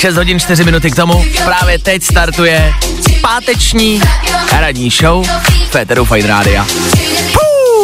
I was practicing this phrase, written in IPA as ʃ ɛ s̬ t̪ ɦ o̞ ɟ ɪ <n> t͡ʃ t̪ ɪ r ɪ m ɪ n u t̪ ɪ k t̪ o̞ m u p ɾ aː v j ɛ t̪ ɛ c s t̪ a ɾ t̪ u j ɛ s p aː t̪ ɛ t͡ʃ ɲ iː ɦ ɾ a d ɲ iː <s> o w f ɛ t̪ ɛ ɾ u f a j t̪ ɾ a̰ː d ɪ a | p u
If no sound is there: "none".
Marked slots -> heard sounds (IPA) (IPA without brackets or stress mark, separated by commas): n, ʃ